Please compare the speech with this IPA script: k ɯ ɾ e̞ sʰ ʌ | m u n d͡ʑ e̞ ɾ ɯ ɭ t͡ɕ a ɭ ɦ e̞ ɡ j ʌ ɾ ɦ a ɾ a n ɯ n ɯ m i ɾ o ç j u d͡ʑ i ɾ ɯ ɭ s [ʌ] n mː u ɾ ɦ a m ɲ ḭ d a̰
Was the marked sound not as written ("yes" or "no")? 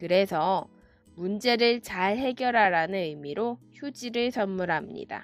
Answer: no